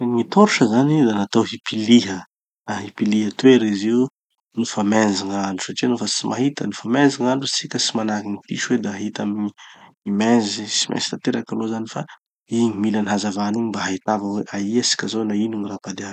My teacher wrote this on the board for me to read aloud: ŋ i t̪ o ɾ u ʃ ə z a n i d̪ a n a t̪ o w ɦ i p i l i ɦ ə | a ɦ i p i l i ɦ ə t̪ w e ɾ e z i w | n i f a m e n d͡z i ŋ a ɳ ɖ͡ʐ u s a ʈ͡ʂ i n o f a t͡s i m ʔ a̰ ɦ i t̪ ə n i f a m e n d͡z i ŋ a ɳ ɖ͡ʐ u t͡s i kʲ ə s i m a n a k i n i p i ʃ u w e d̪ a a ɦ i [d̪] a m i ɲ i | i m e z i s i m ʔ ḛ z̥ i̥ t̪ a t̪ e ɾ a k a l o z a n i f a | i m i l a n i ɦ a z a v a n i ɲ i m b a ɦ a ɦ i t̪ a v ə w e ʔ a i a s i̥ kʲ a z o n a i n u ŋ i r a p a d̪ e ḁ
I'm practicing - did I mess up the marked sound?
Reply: yes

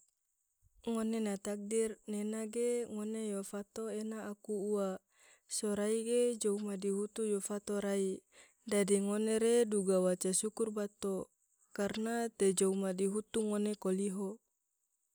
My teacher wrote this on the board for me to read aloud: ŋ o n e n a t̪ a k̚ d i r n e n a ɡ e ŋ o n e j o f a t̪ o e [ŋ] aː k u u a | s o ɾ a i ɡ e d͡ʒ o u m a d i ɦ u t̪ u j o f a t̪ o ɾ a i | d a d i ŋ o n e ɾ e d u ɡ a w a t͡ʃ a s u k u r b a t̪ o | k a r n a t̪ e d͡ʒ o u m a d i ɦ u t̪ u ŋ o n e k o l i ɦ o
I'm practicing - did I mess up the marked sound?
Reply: yes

